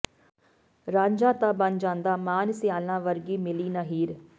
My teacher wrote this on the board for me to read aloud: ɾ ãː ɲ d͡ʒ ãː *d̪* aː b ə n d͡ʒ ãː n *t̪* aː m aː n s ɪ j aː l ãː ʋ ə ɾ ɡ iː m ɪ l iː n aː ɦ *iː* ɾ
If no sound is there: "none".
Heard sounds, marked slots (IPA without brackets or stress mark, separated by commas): t̪, d̪, iː